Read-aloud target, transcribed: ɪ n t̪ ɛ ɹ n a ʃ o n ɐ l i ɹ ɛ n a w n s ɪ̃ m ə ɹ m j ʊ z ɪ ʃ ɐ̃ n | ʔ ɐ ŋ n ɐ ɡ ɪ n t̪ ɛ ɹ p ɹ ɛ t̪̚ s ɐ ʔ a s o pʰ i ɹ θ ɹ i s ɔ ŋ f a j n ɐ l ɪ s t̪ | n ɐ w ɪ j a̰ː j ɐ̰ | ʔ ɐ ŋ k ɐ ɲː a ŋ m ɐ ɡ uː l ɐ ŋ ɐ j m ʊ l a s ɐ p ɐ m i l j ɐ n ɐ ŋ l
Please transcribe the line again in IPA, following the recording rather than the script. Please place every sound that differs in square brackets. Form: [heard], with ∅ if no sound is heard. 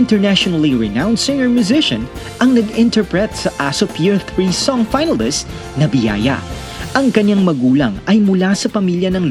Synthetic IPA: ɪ n t̪ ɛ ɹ n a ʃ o n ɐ l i ɹ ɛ n a w n s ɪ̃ [ŋ] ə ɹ m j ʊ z ɪ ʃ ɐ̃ n | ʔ ɐ ŋ n ɐ ɡ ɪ n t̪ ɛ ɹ p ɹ ɛ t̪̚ s ɐ ʔ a s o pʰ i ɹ θ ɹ i s ɔ ŋ f a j n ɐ l ɪ s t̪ | n ɐ [b] ɪ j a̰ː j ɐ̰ | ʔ ɐ ŋ k ɐ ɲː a ŋ m ɐ ɡ uː l ɐ ŋ ɐ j m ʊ l a s ɐ p ɐ m i l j ɐ n ɐ ŋ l